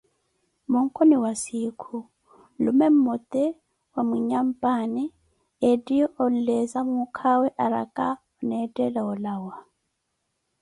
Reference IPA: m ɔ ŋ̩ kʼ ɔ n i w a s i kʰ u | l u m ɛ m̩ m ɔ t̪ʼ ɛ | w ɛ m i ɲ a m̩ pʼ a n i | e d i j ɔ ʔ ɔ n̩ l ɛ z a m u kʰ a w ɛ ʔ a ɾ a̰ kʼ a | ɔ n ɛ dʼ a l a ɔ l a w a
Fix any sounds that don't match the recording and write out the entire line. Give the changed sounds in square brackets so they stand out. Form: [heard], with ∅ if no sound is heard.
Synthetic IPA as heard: m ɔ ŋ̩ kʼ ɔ n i w a s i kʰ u | l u m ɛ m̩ m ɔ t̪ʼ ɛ | w [a] m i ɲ a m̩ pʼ a n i | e d i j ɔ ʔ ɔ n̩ l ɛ z a m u kʰ a w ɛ ʔ a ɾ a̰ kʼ a | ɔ n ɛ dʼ [ɛ] l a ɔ l a w a